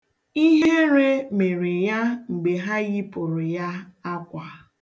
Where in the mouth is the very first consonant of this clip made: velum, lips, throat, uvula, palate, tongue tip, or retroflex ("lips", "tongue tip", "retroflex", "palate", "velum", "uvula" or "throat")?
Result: throat